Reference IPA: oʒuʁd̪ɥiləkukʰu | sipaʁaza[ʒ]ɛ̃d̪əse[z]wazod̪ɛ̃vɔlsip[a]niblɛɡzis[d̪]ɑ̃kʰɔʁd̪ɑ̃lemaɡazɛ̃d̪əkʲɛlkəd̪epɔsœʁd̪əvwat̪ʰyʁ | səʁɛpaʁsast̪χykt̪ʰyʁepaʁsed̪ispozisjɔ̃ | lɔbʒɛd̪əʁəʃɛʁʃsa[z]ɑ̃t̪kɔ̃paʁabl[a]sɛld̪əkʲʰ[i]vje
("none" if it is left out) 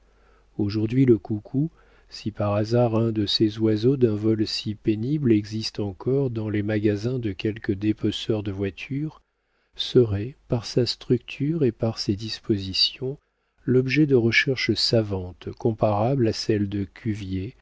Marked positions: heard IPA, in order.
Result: ʁ, z, e, t̪, v, a, y

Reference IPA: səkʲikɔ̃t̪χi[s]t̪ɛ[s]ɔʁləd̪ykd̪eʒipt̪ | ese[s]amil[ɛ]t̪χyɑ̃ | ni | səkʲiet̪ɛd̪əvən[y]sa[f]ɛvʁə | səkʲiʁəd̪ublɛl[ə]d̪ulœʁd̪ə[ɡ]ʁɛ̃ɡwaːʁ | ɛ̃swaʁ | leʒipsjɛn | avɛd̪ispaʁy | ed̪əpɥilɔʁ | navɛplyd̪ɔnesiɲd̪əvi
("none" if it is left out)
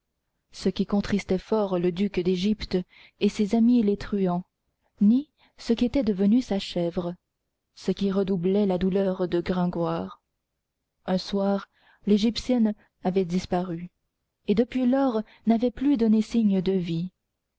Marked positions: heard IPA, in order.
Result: s, f, z, e, y, ʃ, a, ɡ

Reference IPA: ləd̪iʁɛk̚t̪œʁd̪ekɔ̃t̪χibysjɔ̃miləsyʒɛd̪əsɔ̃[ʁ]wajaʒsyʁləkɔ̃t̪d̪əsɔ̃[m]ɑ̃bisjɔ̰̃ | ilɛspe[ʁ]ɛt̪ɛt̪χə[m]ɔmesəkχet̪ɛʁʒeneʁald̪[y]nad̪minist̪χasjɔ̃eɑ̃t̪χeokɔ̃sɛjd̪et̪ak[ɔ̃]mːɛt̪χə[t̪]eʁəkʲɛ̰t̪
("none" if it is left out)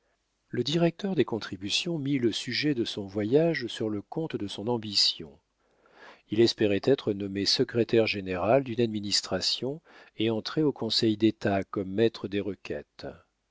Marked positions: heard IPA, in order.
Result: v, n, ʁ, n, y, ɔ, d̪

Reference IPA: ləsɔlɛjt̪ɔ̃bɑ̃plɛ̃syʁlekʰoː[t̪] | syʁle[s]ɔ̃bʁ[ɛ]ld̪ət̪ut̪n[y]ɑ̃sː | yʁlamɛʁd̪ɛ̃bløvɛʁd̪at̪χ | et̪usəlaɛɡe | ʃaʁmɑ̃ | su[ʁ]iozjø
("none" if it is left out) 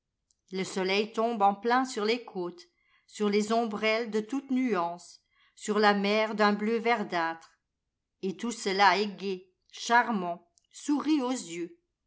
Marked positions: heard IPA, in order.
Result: t̪, z, ɛ, y, ʁ

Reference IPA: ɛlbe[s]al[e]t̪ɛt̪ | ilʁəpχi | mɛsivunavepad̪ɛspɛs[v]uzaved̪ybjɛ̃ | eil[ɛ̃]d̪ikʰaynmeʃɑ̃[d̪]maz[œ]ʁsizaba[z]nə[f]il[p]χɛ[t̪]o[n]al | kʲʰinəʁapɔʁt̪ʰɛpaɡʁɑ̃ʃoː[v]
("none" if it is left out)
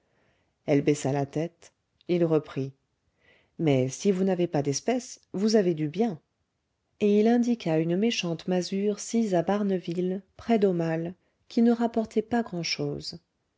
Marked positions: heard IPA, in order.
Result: s, a, v, ɛ̃, t̪, y, ʁ, v, p, d̪, m, z

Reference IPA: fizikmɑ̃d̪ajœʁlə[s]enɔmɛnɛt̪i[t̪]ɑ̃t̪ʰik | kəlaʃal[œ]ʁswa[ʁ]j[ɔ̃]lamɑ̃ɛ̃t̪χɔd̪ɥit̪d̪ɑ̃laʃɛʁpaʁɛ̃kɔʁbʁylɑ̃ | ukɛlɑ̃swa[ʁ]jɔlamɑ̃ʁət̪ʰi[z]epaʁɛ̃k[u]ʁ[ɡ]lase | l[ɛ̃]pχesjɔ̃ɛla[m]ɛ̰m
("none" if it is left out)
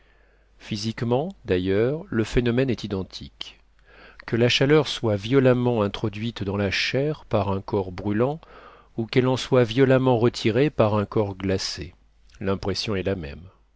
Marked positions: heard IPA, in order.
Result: f, d̪, œ, v, ɔ, v, ʁ, ɔ, ɡ, ɛ̃, m

